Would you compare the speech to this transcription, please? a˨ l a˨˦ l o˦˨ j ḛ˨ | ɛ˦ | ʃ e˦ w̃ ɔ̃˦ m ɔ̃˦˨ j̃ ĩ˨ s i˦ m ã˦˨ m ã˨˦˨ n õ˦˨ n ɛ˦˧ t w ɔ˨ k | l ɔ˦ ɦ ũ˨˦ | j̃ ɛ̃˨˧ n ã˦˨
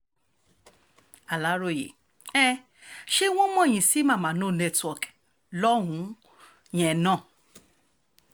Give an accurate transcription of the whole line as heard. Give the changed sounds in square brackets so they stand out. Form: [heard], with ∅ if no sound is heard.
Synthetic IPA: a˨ l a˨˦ [ɾ] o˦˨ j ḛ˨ | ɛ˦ | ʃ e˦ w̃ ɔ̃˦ m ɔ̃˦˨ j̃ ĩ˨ s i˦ m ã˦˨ m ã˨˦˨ n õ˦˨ n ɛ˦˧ t w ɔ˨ k | l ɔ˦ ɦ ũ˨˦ | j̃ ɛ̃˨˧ n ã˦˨